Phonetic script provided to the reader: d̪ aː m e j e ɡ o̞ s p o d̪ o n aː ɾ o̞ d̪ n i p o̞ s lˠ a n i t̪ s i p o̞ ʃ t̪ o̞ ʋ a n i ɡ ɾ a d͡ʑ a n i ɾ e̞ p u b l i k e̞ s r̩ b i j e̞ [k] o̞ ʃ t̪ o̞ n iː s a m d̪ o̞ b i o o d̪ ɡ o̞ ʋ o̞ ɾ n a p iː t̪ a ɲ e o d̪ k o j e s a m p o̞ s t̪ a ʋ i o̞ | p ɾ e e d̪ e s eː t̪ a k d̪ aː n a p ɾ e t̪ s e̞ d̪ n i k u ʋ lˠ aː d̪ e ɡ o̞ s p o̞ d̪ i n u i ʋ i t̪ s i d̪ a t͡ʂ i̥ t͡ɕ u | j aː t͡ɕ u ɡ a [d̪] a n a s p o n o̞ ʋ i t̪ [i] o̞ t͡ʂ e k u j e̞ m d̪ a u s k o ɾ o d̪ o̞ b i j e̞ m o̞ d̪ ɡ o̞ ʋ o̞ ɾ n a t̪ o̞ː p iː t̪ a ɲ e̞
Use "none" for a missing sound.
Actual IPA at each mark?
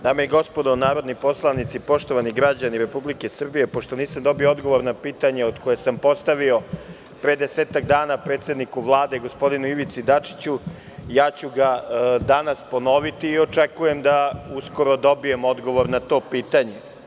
p, d̪, iː

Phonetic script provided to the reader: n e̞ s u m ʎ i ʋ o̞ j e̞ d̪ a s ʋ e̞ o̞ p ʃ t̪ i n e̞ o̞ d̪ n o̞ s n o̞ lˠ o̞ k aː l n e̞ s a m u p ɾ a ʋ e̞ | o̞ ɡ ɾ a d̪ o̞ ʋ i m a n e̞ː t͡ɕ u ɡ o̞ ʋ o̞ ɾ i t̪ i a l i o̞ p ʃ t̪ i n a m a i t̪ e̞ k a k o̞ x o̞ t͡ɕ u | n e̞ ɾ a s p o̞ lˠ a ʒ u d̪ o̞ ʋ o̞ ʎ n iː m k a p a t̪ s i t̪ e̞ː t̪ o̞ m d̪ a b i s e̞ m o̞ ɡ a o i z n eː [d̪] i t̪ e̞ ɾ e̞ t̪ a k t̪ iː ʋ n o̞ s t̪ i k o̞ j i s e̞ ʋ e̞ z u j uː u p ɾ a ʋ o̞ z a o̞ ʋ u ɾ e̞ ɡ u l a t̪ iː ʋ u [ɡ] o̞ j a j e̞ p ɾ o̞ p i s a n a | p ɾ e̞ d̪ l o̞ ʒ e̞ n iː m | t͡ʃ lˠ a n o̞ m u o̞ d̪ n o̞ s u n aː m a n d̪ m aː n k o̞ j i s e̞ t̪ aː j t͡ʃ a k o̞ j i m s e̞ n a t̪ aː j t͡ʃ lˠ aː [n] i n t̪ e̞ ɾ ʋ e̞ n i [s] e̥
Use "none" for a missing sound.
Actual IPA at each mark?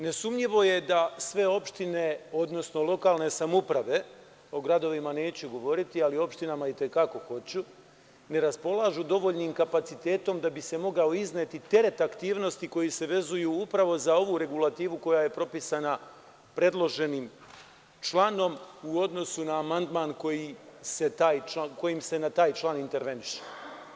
t̪, k, n, ʃ

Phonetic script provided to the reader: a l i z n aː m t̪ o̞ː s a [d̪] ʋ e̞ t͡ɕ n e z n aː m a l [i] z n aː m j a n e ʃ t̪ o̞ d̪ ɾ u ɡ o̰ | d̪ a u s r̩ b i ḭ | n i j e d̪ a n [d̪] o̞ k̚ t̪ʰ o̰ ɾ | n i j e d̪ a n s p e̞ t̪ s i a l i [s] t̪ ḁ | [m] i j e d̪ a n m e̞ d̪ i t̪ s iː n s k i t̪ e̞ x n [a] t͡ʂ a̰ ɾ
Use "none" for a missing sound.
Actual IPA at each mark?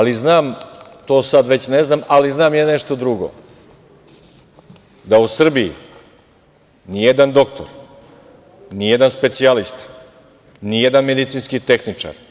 d̪, i, d̪, s, n, i

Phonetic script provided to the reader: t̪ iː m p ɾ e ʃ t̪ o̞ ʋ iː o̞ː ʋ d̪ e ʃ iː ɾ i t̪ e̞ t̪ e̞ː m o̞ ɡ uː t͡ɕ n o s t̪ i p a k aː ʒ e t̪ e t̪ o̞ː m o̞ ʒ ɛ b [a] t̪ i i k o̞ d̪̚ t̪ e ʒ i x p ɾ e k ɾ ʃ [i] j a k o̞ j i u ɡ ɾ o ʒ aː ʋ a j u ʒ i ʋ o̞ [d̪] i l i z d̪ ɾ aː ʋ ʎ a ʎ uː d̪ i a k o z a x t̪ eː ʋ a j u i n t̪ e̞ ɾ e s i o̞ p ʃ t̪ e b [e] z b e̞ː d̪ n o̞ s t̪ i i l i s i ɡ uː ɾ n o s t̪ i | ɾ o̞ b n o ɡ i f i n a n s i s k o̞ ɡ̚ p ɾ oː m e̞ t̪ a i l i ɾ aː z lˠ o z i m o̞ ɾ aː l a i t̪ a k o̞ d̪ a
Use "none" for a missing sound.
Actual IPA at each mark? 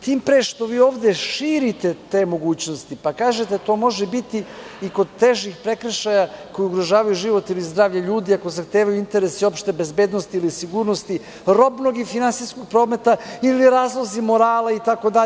i, a, t̪, e

